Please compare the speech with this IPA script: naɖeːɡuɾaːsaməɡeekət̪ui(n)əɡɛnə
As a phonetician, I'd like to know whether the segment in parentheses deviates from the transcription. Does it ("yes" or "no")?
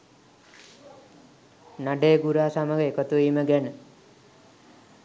yes